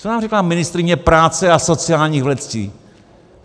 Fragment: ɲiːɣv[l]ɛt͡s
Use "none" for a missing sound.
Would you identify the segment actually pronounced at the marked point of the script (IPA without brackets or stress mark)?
l